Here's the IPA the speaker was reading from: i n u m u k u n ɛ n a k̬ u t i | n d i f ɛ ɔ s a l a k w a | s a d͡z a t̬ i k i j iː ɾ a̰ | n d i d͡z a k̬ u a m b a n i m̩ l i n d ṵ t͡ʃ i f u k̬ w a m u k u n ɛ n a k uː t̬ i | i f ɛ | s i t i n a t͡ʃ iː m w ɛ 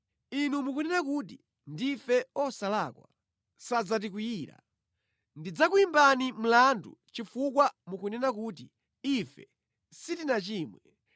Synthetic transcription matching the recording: i n u m u k u n ɛ n a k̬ u t i | n d i f ɛ ɔ s a l a k w a | s a d͡z a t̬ i k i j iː ɾ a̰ | n d i d͡z a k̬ u i m b a n i m̩ l a n d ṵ t͡ʃ i f u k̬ w a m u k u n ɛ n a k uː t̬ i | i f ɛ | s i t i n a t͡ʃ iː m w ɛ